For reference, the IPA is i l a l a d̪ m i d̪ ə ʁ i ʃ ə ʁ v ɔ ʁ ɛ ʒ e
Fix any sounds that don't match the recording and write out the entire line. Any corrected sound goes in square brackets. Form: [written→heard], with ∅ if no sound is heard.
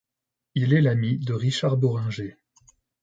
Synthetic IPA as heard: i l [a→ɛ] l a [d̪→∅] m i d̪ ə ʁ i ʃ [ə→a] ʁ [v→b] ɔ ʁ [ɛ→ɛ̃] ʒ e